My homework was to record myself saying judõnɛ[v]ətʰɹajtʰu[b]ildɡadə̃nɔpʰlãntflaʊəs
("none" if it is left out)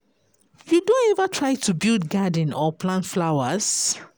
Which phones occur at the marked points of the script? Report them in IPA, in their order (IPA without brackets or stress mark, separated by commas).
v, b